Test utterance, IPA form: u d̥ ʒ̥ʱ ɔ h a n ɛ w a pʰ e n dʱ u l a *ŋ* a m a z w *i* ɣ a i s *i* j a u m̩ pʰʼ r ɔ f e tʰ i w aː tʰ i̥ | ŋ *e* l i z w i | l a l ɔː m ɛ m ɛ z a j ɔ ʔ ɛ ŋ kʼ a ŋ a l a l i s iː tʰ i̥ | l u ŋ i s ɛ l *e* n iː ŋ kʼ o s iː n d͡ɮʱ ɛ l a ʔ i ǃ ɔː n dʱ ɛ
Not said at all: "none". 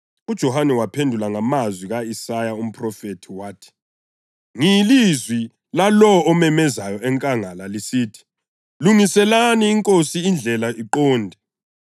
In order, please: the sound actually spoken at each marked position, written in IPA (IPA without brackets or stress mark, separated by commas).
ŋ, i, a, i, a